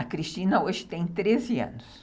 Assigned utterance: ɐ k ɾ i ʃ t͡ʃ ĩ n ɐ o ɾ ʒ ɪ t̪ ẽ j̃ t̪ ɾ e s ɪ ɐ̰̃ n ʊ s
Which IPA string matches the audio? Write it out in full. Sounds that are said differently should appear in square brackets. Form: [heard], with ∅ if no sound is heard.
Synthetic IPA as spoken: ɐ k ɾ i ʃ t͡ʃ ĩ n ɐ o [∅] ʒ ɪ t̪ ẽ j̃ t̪ ɾ e [z] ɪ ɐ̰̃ n ʊ s